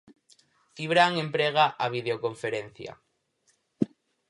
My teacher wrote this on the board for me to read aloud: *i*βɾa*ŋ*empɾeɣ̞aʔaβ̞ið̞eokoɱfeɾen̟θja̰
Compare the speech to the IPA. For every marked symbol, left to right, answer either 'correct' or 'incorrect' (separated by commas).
correct, correct